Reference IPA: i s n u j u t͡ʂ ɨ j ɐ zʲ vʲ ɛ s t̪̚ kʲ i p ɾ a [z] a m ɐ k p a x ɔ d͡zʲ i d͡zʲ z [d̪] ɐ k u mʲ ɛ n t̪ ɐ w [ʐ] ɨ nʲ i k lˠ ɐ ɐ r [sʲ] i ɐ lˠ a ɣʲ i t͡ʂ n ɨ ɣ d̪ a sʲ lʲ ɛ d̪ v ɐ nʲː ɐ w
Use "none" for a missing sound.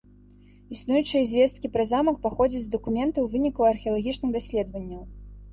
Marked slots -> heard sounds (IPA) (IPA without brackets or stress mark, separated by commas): z, d̪, v, xʲ